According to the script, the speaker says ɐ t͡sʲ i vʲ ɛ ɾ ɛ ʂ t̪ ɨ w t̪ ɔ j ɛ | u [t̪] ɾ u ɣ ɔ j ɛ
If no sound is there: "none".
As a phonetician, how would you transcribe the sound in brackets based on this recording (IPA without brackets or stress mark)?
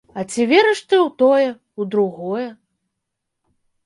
d̪